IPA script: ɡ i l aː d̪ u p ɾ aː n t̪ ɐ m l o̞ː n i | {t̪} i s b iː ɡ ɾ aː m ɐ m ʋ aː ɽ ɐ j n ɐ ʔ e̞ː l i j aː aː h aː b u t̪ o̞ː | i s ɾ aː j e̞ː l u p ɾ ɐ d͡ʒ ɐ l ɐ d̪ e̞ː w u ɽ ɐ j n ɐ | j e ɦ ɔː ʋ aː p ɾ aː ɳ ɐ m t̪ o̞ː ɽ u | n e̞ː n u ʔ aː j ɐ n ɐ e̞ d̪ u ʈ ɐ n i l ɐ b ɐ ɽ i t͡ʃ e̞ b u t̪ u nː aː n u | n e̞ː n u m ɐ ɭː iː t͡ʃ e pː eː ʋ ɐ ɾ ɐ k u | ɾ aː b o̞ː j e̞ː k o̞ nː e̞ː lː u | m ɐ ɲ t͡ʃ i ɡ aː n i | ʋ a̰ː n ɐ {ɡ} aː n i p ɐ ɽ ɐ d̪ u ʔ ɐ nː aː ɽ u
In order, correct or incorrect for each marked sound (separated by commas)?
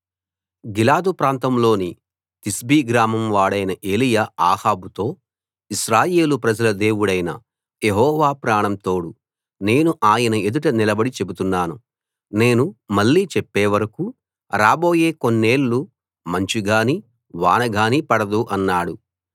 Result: correct, correct